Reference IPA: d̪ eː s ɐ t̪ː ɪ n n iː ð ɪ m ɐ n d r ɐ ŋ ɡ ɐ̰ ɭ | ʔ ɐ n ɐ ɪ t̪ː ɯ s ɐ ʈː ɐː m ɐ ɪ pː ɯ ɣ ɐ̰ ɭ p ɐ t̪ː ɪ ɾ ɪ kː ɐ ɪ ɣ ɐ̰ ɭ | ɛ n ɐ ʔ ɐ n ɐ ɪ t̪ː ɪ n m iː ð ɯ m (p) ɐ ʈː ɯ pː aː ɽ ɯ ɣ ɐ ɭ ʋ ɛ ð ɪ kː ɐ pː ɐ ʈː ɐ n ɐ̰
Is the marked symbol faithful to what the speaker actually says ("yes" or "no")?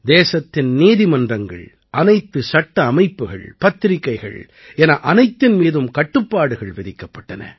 no